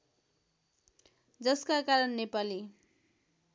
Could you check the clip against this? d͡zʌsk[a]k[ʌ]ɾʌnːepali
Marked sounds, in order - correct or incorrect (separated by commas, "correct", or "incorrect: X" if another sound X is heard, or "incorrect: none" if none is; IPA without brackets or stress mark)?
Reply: correct, incorrect: a